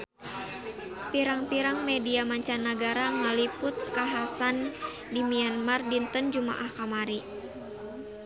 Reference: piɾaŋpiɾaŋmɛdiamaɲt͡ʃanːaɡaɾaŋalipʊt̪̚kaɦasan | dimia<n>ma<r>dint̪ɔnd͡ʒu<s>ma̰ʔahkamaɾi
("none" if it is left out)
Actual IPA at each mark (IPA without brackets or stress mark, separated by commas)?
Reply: n, r, none